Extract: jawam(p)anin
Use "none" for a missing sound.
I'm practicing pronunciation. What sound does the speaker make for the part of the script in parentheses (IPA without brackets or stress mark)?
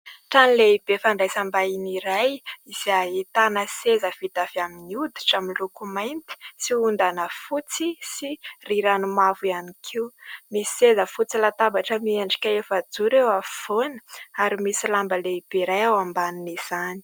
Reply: b